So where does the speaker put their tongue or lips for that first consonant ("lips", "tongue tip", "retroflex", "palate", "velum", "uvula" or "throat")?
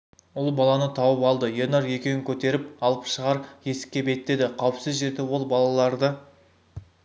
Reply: tongue tip